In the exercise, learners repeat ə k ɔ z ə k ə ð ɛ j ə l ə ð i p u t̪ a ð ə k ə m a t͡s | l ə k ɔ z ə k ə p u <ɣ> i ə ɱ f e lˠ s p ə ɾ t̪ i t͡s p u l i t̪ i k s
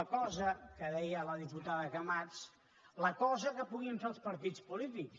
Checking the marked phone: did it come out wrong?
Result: no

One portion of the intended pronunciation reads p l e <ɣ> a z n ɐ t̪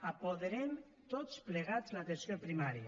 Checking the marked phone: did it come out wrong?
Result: no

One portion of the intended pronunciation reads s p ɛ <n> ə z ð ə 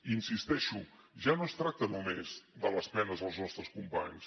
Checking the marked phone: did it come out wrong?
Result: no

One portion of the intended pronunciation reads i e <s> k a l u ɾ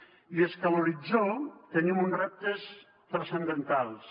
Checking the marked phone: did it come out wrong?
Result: no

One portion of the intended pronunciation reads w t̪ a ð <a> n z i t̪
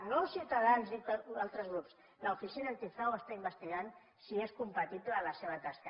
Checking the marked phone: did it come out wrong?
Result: no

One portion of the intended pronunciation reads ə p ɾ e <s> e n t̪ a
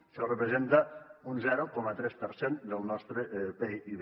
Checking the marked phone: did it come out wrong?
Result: yes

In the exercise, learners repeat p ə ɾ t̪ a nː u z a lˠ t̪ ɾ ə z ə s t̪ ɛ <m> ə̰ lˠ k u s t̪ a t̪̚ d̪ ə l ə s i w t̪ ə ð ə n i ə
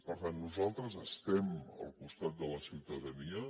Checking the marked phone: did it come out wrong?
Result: no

